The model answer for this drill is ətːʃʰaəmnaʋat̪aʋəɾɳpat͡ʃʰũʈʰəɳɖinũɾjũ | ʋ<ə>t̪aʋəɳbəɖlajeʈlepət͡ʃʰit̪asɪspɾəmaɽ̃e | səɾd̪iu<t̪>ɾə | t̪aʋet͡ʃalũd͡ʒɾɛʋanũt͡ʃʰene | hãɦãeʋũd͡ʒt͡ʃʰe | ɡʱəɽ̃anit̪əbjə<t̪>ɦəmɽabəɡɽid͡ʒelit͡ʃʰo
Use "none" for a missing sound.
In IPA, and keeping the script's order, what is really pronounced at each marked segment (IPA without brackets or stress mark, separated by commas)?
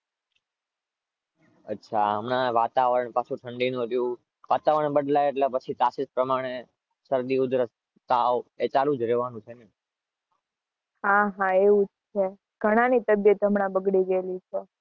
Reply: a, d̪, t̪